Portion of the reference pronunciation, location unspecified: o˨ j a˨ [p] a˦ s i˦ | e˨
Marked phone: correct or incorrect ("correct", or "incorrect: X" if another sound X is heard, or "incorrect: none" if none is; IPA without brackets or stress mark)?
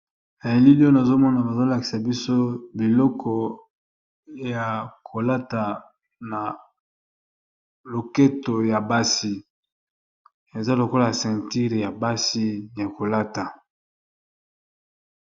incorrect: b